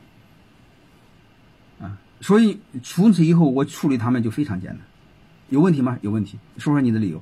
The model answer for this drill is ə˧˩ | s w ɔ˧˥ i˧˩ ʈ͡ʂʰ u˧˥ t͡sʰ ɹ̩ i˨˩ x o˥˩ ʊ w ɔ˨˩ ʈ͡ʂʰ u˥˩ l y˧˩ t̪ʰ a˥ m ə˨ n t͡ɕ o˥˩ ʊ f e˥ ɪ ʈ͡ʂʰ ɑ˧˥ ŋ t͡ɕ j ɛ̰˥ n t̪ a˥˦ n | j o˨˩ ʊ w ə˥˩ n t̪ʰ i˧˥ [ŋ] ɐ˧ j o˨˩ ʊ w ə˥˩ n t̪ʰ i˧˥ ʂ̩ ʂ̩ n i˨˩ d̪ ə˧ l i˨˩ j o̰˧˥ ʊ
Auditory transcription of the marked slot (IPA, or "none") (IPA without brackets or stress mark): m